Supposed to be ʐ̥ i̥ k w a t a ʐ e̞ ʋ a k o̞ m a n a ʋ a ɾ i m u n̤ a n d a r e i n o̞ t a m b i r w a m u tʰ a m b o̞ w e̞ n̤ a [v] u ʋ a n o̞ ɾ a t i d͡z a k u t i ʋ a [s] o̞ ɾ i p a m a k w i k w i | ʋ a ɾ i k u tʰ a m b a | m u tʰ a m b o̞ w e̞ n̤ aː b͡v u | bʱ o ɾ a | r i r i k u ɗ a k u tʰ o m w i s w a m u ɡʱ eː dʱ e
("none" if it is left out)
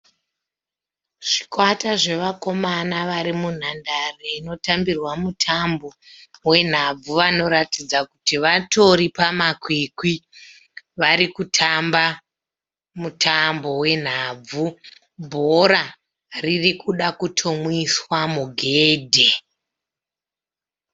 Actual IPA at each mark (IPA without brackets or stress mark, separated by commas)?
b͡v, t